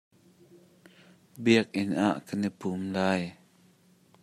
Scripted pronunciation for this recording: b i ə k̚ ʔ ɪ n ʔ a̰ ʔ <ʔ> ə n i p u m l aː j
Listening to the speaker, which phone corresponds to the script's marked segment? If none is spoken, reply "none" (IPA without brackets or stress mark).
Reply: k